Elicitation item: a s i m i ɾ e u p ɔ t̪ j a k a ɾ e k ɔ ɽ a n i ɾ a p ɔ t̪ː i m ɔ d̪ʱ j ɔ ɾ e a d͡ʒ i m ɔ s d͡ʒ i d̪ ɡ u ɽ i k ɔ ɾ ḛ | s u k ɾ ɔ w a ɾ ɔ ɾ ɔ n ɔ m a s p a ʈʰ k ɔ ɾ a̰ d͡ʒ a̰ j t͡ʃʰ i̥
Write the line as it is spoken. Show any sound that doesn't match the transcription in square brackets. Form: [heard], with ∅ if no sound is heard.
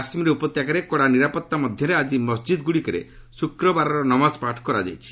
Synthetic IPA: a s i m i ɾ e u p ɔ t̪ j a k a ɾ e k ɔ ɽ a n i ɾ a p ɔ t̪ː [a] m ɔ d̪ʱ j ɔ ɾ e a d͡ʒ i m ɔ s d͡ʒ i d̪ ɡ u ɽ i k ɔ ɾ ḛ | s u k ɾ ɔ [b] a ɾ ɔ ɾ ɔ n ɔ m a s p a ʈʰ k ɔ ɾ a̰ d͡ʒ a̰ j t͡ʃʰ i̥